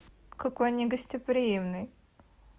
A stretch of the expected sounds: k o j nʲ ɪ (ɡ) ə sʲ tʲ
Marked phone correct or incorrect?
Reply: correct